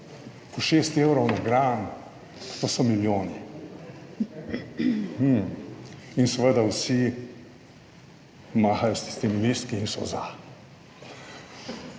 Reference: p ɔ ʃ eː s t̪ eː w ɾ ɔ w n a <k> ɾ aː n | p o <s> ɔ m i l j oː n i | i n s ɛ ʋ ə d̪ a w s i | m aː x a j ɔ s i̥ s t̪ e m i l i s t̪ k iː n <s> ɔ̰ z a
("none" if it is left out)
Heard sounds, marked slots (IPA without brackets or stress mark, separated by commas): ɡ, s, s